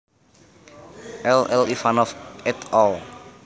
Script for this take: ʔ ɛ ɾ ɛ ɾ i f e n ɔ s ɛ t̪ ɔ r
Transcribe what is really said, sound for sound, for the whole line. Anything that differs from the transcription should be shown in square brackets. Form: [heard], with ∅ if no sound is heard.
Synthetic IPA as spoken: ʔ ɛ [l] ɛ [l] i f [a] n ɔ [f] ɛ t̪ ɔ [l]